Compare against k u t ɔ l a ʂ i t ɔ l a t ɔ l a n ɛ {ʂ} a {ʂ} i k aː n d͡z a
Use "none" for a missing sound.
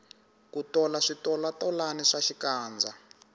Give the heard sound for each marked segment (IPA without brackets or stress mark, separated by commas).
ʂ, ʃ